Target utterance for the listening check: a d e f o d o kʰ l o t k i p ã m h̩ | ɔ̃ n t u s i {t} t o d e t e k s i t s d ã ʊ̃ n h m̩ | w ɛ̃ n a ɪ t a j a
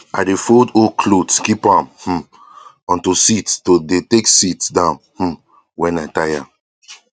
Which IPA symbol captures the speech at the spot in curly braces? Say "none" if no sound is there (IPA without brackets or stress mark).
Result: t